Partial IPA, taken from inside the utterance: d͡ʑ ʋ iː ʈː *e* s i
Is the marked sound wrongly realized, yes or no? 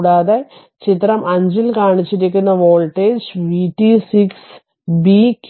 yes